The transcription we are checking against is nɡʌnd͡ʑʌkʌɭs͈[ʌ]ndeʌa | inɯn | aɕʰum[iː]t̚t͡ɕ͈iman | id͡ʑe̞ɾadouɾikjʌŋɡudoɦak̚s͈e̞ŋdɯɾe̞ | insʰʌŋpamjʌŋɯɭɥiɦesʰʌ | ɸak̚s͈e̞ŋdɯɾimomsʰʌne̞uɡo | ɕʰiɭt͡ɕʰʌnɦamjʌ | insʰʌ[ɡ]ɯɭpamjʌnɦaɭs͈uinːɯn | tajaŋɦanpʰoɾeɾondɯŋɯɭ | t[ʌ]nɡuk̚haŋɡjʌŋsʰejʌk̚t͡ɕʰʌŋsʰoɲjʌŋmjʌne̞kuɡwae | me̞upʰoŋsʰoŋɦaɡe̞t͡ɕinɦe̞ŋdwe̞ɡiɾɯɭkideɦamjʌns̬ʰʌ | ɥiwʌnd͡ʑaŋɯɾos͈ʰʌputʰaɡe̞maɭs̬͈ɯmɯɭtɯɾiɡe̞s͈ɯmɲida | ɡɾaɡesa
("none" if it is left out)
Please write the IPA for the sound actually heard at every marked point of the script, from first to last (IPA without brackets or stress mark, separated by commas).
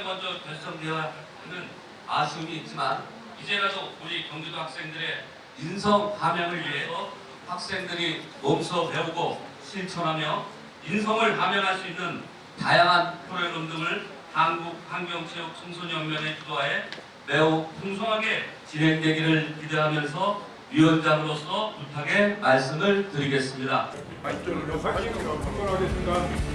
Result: ʌ, iː, ŋ, a